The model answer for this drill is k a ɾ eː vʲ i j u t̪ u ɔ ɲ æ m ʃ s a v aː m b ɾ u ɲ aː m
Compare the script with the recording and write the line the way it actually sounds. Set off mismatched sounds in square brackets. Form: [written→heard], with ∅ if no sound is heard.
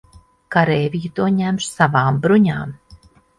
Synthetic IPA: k a ɾ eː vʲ i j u t̪ u ɔ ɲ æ m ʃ s a v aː m b ɾ u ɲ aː m